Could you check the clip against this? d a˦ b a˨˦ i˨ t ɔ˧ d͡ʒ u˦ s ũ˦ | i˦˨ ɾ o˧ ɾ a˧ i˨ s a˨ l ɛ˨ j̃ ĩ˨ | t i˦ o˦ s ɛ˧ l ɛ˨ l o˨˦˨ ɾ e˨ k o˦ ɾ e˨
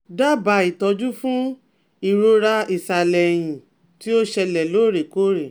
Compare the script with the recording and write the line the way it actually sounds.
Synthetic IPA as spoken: d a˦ b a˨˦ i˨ t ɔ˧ d͡ʒ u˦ f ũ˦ | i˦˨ ɾ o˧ ɾ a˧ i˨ s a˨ l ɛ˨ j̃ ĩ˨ | t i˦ o˦ ʃ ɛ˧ l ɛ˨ l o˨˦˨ ɾ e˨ k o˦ ɾ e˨